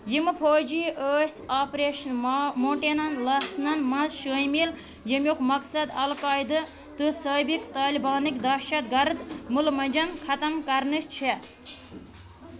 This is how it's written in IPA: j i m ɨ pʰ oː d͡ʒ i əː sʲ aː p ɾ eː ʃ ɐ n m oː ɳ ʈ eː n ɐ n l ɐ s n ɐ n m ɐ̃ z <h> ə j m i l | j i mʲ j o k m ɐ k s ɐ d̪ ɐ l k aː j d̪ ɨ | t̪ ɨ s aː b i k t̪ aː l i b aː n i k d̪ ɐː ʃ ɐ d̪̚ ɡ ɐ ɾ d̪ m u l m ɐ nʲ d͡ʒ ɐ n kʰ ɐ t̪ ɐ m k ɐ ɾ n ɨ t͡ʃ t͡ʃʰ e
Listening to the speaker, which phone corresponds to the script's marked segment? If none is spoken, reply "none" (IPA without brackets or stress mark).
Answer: ʃ